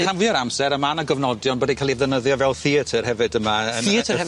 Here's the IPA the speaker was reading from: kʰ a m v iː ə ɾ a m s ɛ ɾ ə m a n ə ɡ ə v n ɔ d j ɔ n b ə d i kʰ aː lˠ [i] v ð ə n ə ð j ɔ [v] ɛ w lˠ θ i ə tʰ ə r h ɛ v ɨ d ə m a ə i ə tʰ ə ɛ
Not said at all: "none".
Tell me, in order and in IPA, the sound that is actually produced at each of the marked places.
i, v

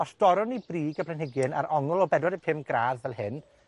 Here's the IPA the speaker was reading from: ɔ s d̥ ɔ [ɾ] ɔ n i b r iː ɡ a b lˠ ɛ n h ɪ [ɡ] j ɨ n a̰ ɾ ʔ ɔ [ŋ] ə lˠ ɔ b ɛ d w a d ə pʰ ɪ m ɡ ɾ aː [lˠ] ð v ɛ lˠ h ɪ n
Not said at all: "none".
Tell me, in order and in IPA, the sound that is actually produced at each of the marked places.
ɾ, ɡ, ŋ, none

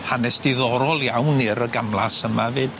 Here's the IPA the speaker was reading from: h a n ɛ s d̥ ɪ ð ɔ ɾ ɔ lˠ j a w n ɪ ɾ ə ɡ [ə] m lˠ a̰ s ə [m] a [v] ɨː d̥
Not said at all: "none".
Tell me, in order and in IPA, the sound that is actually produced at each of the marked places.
a, m, v

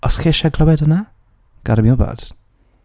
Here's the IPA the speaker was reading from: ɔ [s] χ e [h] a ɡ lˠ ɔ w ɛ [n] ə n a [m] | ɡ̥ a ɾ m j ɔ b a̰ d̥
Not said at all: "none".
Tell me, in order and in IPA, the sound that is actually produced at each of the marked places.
s, ʃ, d, none

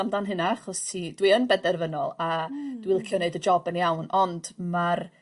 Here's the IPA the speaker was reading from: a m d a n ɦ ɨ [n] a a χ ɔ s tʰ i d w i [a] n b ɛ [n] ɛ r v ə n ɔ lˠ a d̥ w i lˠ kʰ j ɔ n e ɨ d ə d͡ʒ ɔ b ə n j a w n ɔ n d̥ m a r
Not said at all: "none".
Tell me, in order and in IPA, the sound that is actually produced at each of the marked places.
n, ə, d

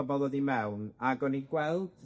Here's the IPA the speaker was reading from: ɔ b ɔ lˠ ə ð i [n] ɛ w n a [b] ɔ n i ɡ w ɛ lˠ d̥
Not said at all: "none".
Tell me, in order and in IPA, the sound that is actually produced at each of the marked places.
m, ɡ

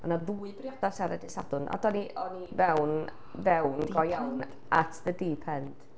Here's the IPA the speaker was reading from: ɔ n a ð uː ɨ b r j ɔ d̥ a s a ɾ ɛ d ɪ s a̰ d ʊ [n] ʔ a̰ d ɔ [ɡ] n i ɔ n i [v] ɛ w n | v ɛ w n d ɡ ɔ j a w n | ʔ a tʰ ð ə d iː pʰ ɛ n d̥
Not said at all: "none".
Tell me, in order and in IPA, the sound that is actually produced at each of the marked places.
n, none, v

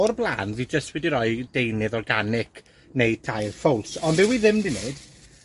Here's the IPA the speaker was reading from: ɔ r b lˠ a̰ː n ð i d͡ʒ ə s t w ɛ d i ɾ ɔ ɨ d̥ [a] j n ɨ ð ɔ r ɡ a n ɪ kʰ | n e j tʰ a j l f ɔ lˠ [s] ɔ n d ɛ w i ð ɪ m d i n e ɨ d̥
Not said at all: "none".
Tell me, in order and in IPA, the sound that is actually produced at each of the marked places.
e, s

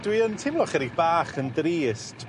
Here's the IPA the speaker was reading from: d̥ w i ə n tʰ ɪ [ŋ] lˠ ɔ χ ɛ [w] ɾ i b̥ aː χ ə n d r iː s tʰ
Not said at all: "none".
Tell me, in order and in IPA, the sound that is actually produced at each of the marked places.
m, none

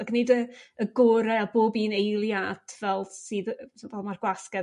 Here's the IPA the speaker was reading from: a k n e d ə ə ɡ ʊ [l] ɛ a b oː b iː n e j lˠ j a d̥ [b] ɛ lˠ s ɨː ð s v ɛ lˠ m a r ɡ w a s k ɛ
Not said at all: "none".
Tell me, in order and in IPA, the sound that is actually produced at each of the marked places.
ɾ, v

